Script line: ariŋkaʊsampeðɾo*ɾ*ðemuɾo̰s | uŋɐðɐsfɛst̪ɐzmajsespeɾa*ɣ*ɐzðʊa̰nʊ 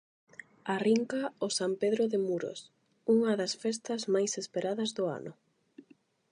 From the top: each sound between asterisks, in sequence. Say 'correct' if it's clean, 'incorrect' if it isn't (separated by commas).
incorrect, incorrect